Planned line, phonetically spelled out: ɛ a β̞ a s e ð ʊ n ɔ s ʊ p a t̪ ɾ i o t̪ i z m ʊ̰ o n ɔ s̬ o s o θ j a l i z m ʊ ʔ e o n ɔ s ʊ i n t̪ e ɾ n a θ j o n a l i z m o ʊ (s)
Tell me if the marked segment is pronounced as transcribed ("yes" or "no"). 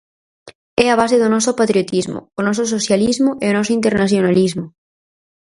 no